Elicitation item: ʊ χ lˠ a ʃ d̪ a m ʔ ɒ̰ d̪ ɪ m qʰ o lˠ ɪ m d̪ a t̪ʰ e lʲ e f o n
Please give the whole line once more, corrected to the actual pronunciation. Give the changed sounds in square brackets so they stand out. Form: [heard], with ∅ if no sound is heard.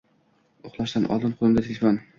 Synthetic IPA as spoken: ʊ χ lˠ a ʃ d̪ a [n] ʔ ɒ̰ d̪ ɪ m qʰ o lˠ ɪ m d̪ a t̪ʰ e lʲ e f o n